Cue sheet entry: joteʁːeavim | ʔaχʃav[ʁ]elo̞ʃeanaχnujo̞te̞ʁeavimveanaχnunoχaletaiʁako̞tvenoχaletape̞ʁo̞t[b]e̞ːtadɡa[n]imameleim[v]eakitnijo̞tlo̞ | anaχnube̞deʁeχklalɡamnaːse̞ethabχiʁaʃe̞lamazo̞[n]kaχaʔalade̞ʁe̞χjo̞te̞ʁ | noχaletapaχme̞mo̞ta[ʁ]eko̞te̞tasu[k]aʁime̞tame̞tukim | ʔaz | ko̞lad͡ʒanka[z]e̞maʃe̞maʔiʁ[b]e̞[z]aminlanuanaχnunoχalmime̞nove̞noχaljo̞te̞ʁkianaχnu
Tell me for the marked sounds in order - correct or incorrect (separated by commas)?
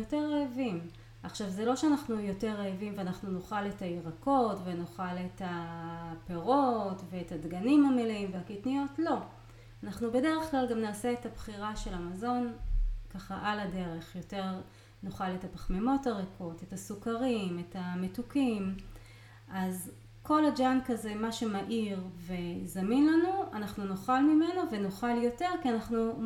incorrect, incorrect, correct, correct, correct, correct, correct, correct, incorrect, correct